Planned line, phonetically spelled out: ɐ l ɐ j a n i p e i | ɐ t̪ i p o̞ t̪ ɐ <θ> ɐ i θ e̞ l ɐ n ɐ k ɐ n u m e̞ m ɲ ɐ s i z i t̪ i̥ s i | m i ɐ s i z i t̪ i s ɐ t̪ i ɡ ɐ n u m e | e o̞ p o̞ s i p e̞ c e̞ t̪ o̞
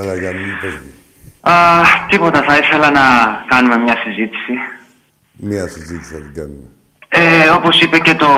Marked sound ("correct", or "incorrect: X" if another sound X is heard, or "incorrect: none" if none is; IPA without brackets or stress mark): correct